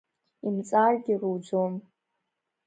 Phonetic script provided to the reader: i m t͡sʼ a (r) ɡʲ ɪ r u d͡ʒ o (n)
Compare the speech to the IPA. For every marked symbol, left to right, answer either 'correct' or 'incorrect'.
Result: correct, incorrect

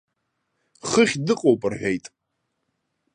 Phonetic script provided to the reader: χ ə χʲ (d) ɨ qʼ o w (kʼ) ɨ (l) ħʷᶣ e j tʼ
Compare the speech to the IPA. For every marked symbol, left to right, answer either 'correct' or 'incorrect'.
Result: correct, incorrect, incorrect

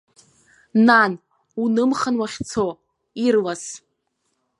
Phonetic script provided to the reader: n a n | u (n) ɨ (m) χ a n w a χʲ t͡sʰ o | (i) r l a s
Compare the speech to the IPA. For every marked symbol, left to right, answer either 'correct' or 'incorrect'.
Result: correct, correct, correct

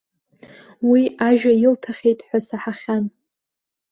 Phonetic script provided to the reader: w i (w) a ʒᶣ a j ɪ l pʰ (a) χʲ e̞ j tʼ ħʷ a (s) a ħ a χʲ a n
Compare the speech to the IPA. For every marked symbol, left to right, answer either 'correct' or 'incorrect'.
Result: incorrect, correct, correct

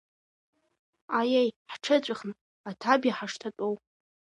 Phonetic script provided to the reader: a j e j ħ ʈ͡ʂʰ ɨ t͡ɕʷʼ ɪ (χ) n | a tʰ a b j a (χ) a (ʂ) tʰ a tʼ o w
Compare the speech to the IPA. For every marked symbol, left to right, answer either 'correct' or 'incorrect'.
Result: correct, incorrect, correct

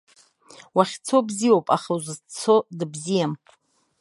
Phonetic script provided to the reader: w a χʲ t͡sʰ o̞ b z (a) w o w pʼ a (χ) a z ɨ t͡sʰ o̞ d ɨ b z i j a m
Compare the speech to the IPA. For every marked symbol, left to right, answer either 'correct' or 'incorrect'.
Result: incorrect, correct

